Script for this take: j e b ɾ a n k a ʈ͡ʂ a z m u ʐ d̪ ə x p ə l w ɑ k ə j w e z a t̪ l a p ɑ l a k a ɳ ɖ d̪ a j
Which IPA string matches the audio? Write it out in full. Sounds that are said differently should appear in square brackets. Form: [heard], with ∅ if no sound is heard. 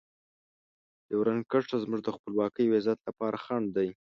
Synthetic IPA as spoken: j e [w] ɾ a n k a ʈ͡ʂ a z m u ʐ d̪ ə x p ə l w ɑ k ə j w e z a t̪ l a p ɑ [ɾ] a [x] a ɳ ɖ d̪ a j